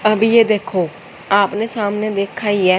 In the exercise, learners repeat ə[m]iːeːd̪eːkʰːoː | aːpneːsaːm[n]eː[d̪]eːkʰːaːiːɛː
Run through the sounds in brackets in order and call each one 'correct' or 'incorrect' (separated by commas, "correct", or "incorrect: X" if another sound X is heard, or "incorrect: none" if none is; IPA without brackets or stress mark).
incorrect: b, correct, correct